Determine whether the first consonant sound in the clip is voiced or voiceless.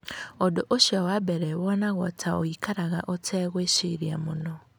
voiced